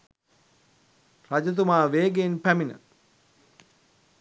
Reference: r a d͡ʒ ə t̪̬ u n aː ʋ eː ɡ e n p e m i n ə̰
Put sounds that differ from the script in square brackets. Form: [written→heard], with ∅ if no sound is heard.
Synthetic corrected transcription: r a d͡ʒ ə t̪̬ u [n→m] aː ʋ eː ɡ e n p [e→æ] m i n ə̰